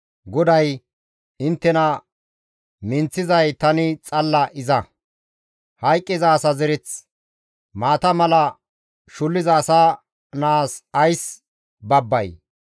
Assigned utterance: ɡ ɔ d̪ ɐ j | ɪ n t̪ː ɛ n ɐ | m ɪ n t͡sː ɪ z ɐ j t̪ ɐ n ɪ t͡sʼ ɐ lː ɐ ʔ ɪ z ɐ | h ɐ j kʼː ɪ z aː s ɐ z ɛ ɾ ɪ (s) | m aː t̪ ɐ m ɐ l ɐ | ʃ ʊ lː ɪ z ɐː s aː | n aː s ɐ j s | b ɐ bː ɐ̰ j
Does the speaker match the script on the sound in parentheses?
no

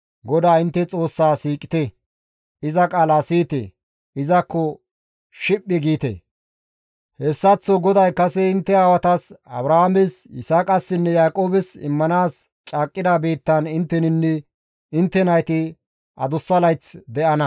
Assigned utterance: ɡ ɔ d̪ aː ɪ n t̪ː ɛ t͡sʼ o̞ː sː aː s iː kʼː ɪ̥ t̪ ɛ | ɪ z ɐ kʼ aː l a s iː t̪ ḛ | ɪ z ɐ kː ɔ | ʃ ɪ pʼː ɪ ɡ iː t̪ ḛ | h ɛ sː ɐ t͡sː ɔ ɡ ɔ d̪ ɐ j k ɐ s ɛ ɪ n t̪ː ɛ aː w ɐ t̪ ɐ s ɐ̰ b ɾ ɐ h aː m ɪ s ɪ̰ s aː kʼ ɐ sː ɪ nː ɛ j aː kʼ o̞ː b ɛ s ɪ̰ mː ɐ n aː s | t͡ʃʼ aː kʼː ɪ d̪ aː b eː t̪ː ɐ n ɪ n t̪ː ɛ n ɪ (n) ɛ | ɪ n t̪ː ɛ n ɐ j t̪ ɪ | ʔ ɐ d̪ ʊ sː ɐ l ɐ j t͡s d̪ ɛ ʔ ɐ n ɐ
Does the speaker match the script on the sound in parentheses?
no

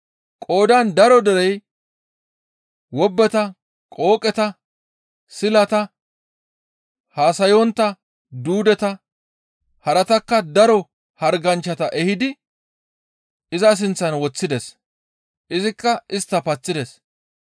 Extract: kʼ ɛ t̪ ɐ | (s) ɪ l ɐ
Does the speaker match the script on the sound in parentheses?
yes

